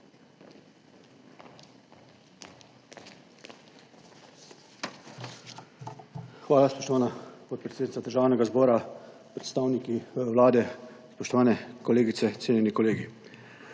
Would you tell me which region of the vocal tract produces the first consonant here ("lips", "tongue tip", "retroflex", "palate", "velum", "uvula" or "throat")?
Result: velum